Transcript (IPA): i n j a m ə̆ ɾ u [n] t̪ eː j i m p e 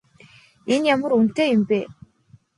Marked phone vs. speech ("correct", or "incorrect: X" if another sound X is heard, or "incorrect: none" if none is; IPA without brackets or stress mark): correct